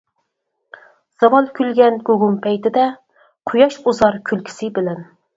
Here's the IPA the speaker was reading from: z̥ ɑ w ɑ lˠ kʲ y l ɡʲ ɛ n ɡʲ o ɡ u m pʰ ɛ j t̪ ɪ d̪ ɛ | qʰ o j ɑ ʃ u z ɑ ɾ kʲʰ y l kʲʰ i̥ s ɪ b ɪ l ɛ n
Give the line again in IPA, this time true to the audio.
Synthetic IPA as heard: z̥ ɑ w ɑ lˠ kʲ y l ɡʲ ɛ n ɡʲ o ɡ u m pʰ ɛ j t̪ ɪ d̪ ɛ | qʰ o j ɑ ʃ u z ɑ ɾ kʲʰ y l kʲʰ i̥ s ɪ b ɪ l ɛ n

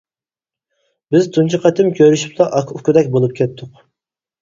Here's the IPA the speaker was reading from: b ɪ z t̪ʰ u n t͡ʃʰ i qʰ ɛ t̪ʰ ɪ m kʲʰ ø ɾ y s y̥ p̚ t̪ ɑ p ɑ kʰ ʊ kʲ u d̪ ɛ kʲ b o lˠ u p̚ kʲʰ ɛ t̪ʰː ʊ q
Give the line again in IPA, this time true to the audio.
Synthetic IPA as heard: b ɪ z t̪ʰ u n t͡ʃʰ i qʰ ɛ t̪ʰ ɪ m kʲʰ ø ɾ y ʃ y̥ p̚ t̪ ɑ ʔ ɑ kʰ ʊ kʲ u d̪ ɛ kʲ b o lˠ u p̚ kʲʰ ɛ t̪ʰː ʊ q

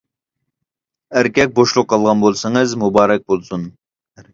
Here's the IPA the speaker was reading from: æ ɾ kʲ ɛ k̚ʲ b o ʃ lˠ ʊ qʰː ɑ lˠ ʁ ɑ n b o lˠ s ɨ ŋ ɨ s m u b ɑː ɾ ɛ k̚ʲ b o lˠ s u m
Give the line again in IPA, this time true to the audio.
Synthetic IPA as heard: æ ɾ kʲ ɛ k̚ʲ b o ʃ lˠ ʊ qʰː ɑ lˠ ʁ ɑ n b o lˠ s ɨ ŋ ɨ z m u b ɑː ɾ ɛ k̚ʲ b o lˠ s u n

